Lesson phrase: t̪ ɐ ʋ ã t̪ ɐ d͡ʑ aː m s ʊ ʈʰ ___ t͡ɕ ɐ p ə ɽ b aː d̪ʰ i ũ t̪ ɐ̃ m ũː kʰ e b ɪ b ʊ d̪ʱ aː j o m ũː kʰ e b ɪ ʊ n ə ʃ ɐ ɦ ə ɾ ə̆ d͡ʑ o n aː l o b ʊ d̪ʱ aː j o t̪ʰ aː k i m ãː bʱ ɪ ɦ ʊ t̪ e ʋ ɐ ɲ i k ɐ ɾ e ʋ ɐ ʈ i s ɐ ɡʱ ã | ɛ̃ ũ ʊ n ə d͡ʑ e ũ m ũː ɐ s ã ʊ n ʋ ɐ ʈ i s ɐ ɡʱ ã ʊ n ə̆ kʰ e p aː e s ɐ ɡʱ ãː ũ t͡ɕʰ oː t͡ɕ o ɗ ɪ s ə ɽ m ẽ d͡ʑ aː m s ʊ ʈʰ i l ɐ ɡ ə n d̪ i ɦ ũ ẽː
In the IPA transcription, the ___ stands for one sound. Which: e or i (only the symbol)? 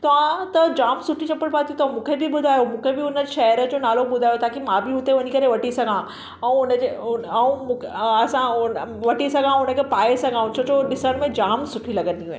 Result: i